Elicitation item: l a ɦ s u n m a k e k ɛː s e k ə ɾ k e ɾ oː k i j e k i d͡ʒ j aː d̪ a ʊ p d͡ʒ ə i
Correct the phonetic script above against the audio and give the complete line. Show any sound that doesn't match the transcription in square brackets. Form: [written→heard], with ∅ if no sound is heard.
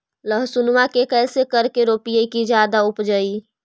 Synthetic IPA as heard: l [a→ə] ɦ s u n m a k e k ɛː s e k ə ɾ k e ɾ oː [k→p] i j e k i d͡ʒ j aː d̪ a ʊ p d͡ʒ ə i